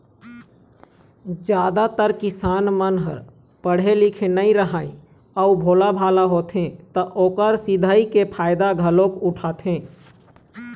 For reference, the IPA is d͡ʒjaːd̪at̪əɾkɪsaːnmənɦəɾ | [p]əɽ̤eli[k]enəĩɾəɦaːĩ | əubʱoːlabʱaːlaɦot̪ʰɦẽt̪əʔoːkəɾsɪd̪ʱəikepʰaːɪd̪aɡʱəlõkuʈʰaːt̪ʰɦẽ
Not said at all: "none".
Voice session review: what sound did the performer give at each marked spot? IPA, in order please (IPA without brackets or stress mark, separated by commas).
p, kʰ